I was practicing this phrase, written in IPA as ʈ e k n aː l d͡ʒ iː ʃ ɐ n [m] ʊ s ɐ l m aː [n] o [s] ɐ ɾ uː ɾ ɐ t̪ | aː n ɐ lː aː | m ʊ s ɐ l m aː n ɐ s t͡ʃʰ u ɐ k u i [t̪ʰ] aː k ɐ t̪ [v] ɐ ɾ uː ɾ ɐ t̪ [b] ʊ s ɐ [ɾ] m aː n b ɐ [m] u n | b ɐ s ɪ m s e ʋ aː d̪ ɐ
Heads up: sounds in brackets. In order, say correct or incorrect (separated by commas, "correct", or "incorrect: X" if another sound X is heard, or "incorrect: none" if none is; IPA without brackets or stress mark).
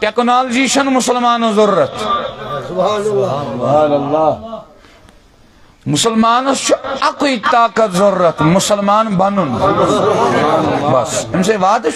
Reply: correct, correct, incorrect: z, incorrect: t̪, incorrect: z, incorrect: m, incorrect: l, incorrect: n